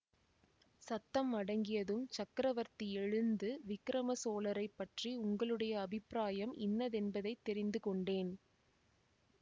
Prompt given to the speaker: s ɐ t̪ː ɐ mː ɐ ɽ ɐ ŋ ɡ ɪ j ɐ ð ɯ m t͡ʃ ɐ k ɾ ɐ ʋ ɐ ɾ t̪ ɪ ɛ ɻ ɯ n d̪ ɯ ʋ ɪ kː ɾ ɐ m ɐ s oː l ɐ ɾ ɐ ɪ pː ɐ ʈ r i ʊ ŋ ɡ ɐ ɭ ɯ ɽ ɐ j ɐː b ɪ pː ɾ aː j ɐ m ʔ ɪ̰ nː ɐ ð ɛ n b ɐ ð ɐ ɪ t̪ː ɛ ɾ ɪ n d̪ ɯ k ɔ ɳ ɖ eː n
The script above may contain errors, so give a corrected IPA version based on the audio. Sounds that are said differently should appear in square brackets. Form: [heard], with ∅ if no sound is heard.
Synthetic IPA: s ɐ t̪ː ɐ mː ɐ ɽ ɐ ŋ ɡ ɪ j ɐ ð ɯ m t͡ʃ ɐ k ɾ ɐ ʋ ɐ ɾ t̪ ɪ ɛ ɻ ɯ n d̪ ɯ ʋ ɪ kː ɾ ɐ m ɐ s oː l ɐ ɾ ɐ ɪ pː ɐ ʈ r i ʊ ŋ ɡ ɐ ɭ ɯ ɽ ɐ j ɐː b ɪ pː ɾ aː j ɐ m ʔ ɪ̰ nː ɐ ð ɛ n b ɐ ð ɐ ɪ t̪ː ɛ ɾ ɪ n d̪ ɯ k ɔ ɳ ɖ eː n